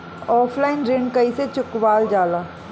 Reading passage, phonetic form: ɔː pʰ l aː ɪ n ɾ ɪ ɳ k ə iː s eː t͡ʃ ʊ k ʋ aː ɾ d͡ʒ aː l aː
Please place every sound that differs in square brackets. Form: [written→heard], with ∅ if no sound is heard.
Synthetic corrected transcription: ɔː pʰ l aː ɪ n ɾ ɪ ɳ k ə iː s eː t͡ʃ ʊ k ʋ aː [ɾ→l] d͡ʒ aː l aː